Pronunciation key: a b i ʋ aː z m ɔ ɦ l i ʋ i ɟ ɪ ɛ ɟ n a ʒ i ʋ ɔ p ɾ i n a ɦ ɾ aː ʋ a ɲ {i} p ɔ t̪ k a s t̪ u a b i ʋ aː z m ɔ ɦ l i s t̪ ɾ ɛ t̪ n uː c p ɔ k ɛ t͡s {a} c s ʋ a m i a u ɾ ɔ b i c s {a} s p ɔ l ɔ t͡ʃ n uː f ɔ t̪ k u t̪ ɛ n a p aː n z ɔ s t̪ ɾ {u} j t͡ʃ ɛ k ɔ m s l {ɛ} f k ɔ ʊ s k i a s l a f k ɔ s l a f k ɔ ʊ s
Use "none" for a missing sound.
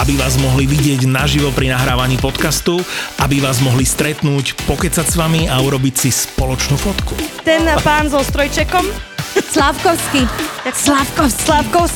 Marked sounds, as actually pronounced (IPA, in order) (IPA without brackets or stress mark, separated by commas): iː, a, i, ɔ, a